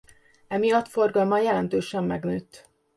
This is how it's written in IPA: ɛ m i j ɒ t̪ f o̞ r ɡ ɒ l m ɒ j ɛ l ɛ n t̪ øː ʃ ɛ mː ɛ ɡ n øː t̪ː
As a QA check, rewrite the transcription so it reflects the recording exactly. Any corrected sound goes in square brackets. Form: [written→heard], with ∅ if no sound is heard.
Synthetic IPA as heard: ɛ m i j ɒ t̪ f o̞ r ɡ ɒ l m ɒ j ɛ l ɛ n t̪ øː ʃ ɛ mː ɛ ɡ n øː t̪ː